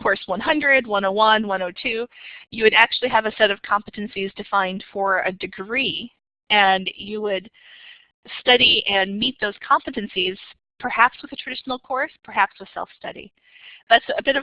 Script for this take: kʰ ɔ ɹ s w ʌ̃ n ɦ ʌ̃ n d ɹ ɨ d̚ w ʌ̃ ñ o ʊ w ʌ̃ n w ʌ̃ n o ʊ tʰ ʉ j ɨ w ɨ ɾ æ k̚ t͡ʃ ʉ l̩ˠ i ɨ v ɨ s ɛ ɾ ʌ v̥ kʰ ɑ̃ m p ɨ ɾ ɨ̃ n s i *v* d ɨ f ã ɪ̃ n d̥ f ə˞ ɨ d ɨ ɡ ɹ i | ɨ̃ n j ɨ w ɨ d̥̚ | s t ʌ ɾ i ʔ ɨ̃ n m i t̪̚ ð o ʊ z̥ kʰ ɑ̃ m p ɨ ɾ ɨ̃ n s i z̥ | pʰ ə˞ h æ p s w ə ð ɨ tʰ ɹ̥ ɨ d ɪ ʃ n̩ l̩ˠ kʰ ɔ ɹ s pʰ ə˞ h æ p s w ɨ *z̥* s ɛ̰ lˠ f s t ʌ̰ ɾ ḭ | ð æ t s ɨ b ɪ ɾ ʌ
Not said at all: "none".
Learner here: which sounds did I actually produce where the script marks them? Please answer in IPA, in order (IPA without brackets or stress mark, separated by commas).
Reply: z, ð̥